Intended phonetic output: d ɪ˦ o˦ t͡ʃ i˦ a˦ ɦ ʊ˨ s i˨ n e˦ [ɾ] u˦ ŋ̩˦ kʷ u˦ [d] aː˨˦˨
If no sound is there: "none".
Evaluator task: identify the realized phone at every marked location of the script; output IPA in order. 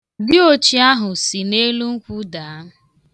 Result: l, d

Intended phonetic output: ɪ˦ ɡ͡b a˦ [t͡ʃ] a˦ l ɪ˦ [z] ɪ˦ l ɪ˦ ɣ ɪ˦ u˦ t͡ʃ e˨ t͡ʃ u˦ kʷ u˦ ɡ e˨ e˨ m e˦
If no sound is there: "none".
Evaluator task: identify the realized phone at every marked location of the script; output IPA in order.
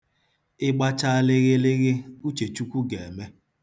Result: t͡ʃ, ɣ

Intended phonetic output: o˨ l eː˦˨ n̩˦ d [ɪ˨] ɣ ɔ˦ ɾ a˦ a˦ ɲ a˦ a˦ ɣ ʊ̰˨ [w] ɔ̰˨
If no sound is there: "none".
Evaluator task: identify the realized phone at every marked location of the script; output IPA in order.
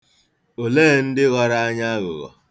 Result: ɪ˦, ɣ

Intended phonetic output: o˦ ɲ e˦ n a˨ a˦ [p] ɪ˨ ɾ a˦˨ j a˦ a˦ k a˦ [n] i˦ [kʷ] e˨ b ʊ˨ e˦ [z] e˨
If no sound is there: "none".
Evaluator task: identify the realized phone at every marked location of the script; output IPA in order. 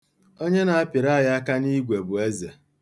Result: p, n, ɡʷ, z

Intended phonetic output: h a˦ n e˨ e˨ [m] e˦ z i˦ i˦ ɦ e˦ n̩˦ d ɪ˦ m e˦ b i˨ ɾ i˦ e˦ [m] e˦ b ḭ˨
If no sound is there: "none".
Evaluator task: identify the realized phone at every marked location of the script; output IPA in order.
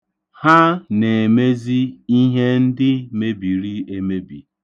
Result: m, m

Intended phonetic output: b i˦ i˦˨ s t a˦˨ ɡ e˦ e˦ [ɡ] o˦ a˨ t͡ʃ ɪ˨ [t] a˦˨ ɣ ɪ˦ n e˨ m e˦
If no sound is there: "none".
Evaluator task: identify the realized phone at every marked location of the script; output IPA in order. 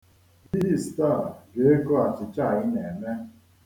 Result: k, t͡ʃ

